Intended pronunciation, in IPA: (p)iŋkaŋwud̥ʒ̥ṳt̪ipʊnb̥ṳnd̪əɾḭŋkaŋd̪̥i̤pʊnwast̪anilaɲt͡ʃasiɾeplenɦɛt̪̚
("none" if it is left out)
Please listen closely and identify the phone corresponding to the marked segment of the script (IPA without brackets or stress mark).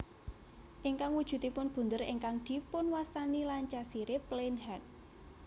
ʔ